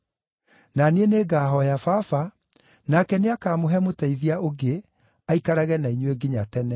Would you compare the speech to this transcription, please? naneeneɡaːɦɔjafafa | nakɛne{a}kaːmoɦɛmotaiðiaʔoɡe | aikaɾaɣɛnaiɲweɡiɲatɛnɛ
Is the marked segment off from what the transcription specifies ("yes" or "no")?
no